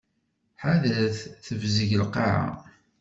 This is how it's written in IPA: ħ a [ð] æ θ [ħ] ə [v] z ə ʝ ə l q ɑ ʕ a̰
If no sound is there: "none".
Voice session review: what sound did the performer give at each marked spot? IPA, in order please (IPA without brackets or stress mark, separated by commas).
ð, θ, v